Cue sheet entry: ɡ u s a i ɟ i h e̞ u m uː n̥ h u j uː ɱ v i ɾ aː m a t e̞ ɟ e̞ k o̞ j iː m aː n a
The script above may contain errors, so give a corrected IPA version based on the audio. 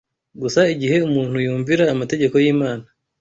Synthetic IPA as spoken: ɡ u s a i ɟ i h e̞ u m uː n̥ h u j uː ɱ v i ɾ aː m a t e̞ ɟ e̞ k o̞ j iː m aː n a